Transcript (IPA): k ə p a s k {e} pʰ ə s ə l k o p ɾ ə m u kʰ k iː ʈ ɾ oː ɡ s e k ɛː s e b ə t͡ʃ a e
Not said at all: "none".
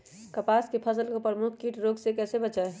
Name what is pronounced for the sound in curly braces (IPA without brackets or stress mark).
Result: e